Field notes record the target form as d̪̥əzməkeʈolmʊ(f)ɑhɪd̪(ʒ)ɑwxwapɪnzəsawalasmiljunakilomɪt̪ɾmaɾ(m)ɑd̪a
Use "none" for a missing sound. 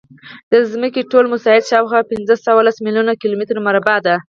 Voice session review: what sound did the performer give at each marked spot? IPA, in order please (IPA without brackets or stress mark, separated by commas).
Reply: s, ʃ, b